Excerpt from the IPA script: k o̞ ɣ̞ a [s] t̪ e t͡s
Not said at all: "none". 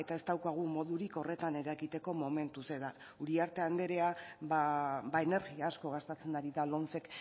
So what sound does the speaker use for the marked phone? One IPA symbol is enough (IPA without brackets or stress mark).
s